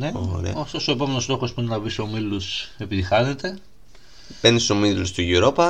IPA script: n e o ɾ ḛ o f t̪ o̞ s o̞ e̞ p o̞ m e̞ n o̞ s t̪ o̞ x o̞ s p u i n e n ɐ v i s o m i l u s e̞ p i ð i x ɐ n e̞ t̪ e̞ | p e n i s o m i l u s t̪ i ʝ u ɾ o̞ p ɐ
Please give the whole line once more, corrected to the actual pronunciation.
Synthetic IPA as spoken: n e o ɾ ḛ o f t̪ o̞ s o̞ e̞ p o̞ m e̞ n o̞ s t̪ o̞ x o̞ s p u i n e n ɐ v i s o m i l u s e̞ p i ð i x ɐ n e̞ t̪ e̞ | p e n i s o m i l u s t̪ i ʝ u ɾ o̞ p ɐ